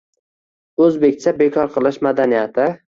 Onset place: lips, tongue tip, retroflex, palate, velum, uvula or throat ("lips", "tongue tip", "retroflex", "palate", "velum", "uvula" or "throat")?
tongue tip